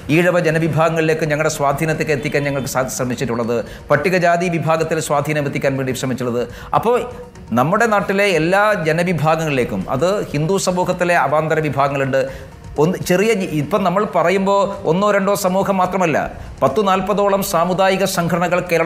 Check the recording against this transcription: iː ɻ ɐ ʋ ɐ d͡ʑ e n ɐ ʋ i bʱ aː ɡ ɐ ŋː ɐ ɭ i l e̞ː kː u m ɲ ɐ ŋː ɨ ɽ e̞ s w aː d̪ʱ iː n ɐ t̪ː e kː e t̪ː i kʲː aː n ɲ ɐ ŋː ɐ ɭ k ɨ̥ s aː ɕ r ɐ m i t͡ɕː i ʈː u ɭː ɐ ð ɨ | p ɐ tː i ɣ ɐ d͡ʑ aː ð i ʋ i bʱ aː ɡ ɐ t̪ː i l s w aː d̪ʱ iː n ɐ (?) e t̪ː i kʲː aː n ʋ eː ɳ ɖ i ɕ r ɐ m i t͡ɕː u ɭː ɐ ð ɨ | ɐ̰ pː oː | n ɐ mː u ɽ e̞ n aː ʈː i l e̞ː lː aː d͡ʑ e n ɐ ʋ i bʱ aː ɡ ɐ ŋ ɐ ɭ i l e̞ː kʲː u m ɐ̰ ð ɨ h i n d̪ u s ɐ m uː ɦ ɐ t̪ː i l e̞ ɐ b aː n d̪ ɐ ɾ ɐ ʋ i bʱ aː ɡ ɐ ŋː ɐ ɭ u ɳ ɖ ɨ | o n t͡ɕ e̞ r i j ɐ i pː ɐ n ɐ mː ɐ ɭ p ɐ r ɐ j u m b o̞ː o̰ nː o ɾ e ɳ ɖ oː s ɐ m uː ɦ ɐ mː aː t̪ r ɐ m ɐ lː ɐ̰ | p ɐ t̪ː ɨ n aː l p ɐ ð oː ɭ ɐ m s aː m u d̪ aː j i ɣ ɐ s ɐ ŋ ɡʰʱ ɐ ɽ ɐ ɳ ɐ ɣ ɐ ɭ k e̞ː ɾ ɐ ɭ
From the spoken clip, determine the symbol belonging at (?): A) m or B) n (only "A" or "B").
A